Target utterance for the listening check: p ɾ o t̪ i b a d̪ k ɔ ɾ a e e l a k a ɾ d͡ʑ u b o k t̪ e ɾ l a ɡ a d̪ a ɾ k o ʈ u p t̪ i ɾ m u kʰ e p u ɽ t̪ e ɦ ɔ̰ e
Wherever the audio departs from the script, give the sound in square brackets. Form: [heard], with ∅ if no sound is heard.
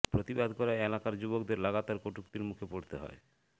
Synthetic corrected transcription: p ɾ o t̪ i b a d̪ k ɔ ɾ a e e l a k a ɾ d͡ʑ u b o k [d̪] e ɾ l a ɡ a [t̪] a ɾ k o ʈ u [k] t̪ i ɾ m u kʰ e p [o] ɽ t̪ e ɦ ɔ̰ e